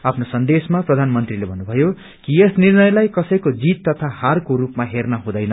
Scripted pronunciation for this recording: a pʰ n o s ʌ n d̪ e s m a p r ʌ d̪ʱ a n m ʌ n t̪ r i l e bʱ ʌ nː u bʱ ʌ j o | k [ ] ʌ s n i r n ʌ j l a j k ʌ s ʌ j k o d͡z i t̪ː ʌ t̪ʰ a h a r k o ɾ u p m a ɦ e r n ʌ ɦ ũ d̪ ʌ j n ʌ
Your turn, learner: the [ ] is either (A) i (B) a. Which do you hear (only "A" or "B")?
A